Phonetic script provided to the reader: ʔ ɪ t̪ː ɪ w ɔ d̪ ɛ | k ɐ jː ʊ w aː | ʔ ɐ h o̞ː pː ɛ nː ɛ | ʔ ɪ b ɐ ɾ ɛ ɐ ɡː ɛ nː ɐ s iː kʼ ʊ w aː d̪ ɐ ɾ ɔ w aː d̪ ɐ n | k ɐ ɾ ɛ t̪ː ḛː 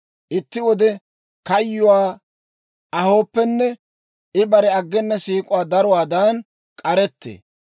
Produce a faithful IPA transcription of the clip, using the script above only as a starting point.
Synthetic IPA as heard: ʔ ɪ t̪ː ɪ w ɔ d̪ ɛ | k ɐ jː ʊ w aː | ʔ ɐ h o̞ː pː ɛ nː ɛ | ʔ ɪ b ɐ ɾ ɛ ɐ ɡː ɛ nː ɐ s iː kʼ ʊ w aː d̪ ɐ ɾ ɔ w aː d̪ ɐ n | kʼ ɐ ɾ ɛ t̪ː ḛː